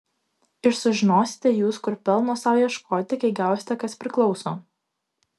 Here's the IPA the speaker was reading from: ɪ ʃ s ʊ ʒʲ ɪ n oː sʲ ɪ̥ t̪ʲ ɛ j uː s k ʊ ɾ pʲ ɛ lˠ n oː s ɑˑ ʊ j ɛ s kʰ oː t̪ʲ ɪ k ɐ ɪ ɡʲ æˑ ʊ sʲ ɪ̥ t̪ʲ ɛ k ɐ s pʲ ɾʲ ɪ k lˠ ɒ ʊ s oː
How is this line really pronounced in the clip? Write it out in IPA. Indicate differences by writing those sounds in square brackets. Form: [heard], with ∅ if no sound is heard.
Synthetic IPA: ɪ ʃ s ʊ ʒʲ ɪ n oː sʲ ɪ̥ t̪ʲ ɛ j uː s k ʊ ɾ pʲ ɛ lˠ n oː s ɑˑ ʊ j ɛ [ʃ] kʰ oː t̪ʲ ɪ k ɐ ɪ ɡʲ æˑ ʊ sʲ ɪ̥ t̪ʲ ɛ k ɐ s pʲ ɾʲ ɪ k lˠ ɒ ʊ s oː